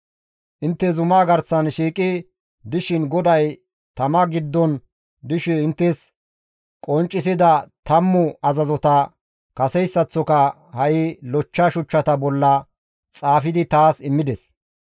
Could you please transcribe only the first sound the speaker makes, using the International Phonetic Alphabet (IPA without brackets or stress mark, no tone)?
ʔ